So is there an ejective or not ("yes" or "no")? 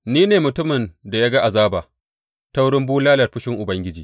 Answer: no